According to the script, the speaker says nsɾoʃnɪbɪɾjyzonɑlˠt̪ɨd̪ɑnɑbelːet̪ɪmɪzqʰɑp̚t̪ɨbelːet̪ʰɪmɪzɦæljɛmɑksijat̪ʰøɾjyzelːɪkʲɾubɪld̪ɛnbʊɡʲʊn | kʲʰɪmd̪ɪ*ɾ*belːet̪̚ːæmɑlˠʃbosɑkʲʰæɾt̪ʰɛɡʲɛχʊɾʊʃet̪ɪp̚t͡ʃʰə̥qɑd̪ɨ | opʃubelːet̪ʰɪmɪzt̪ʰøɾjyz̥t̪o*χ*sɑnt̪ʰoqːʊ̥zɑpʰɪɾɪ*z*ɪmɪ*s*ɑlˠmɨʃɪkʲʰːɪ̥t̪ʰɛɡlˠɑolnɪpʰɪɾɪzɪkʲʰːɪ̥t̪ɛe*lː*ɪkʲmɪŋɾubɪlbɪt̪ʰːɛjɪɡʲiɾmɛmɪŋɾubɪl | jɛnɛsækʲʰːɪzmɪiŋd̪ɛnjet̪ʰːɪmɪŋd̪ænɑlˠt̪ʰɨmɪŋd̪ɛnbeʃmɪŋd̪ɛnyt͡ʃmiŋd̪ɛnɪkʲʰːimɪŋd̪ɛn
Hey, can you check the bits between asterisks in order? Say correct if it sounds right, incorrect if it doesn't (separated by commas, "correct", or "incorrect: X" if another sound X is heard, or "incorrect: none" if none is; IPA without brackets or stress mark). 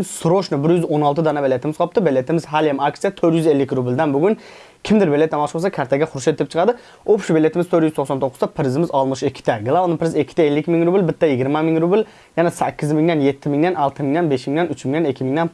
correct, correct, correct, incorrect: z, correct